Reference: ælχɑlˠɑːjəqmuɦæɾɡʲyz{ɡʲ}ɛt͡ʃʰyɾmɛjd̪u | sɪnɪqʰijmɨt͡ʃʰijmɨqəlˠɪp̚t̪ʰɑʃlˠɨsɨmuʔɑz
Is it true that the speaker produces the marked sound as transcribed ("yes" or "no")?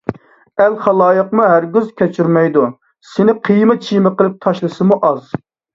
no